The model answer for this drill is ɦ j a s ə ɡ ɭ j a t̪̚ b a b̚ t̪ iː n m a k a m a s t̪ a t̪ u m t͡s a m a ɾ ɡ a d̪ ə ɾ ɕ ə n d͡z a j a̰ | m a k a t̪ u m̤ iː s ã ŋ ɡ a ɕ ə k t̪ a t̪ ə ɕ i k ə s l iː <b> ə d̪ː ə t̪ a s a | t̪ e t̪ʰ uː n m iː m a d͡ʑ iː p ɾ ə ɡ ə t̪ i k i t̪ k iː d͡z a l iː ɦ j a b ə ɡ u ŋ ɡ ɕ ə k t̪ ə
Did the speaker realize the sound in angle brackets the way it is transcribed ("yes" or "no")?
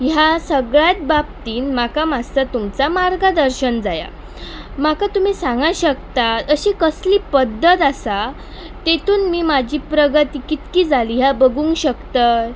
no